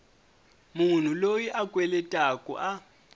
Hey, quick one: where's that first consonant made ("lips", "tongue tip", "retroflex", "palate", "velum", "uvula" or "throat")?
lips